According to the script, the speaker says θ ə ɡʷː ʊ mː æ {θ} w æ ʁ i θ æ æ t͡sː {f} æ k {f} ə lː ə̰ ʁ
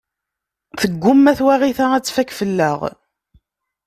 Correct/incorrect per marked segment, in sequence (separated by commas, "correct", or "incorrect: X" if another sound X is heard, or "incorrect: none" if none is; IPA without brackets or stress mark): correct, correct, correct